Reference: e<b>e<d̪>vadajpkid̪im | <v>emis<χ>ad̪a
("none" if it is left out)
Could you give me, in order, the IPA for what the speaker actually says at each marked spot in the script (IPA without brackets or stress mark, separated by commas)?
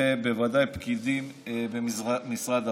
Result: b, none, b, ʁ